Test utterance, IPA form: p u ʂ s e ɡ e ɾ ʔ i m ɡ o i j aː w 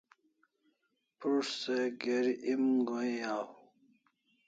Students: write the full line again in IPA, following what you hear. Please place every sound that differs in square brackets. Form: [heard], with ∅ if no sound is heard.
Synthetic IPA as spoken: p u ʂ s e ɡ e ɾ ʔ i m ɡ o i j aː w